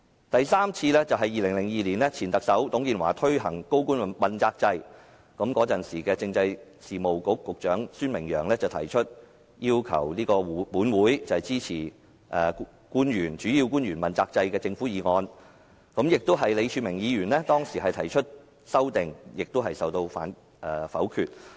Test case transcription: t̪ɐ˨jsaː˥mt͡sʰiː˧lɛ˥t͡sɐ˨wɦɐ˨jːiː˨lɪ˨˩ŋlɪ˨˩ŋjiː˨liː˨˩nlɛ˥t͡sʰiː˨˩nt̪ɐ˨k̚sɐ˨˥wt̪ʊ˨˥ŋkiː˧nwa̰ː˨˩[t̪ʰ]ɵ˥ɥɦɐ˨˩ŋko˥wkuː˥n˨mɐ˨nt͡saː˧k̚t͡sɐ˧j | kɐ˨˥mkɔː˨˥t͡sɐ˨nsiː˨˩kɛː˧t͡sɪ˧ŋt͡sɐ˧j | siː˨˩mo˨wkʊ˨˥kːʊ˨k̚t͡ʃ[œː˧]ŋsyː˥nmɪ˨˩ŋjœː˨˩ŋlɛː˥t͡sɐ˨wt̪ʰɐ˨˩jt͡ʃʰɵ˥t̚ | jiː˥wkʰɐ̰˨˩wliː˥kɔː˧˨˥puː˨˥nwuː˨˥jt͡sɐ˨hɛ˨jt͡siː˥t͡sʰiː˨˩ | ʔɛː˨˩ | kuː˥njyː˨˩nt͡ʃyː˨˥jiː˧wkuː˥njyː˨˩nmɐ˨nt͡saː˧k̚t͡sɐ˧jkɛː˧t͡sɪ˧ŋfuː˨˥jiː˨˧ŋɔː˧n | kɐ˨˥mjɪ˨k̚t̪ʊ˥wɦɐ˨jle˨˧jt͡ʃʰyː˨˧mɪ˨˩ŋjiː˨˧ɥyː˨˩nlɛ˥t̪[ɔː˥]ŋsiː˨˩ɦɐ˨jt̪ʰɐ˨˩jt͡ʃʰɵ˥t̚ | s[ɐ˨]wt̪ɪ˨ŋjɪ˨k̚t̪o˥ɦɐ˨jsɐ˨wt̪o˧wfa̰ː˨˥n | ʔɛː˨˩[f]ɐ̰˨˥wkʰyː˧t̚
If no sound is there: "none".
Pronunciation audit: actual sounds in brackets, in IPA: t̪ʰ, œː˨˥, ɔː˥, ɐ˥, f

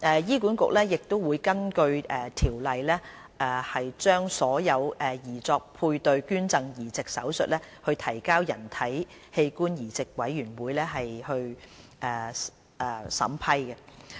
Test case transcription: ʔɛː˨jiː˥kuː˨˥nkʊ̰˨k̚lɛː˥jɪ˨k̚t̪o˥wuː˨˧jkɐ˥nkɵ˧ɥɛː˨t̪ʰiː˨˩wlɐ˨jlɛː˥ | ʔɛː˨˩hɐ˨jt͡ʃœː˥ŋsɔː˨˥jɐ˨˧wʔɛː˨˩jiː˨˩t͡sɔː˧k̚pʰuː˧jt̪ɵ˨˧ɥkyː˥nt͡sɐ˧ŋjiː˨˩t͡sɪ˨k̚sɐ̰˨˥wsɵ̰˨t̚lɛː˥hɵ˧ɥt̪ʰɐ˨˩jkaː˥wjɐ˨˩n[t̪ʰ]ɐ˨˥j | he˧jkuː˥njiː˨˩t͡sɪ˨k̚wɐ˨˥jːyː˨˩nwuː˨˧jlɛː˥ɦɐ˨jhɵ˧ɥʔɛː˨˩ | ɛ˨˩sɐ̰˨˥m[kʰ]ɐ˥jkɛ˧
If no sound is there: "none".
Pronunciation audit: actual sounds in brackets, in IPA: t̪ʰ, pʰ

